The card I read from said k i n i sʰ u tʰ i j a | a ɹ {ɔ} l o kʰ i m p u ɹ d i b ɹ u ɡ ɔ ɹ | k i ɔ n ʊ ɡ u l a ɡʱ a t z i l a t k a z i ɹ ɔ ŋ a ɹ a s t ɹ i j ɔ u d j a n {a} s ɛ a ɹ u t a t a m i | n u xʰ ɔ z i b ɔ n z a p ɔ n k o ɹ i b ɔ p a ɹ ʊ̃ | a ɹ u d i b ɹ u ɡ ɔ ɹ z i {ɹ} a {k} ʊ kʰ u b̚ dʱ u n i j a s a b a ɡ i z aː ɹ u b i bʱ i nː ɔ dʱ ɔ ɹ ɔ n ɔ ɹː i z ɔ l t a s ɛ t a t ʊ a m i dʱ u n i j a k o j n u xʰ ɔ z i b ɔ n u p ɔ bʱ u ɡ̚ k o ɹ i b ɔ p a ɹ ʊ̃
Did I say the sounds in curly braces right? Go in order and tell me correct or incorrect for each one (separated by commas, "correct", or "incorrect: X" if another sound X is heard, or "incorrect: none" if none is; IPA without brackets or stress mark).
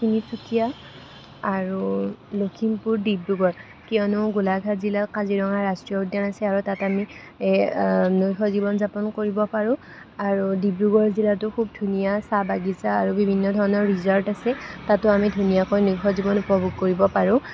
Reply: incorrect: u, correct, incorrect: l, incorrect: t